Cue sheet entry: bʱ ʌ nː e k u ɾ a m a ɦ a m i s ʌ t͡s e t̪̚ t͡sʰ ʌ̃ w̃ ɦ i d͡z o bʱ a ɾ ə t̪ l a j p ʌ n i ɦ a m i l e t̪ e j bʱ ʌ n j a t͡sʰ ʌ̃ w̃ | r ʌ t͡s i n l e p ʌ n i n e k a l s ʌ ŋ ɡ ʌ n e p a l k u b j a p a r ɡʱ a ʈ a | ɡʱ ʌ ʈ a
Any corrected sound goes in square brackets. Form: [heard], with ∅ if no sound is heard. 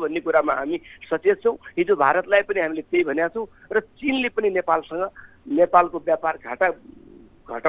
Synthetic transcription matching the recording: bʱ ʌ nː e k u ɾ a m a ɦ a m i s ʌ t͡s e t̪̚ t͡sʰ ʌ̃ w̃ ɦ i d͡z o bʱ a ɾ [ʌ] t̪ l a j p ʌ n i ɦ a m i l e t̪ e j bʱ ʌ n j a t͡sʰ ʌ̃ w̃ | r ʌ t͡s i n l e p ʌ n i n e [p] a l s ʌ ŋ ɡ ʌ n e p a l k [o] b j a p a r ɡʱ a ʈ a | ɡʱ ʌ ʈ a